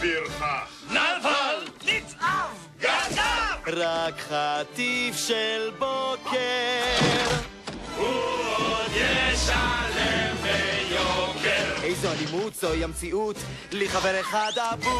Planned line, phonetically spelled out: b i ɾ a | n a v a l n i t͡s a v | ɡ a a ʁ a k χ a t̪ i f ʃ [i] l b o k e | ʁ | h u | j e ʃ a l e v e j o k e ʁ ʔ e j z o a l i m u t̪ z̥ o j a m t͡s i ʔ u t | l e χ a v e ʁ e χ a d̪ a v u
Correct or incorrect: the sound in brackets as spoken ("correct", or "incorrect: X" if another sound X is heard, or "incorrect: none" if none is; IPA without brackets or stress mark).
incorrect: e